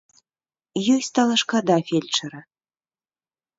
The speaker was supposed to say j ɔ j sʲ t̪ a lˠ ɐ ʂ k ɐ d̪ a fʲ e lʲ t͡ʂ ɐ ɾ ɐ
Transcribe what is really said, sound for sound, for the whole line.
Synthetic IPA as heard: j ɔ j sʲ t̪ a lˠ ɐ ʂ k a d̪ a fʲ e lʲ t͡ʂ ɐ ɾ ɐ